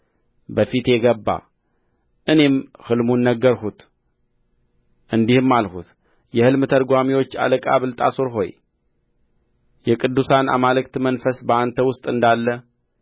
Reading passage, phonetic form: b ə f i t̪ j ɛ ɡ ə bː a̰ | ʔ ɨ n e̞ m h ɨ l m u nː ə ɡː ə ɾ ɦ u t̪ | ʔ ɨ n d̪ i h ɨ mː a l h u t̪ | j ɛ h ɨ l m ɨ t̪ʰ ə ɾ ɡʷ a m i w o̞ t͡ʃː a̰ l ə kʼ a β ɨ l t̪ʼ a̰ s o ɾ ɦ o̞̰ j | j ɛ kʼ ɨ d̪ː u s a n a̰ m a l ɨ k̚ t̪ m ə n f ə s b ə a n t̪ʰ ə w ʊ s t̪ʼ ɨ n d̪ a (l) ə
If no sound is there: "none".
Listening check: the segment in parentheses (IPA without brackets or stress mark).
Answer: lː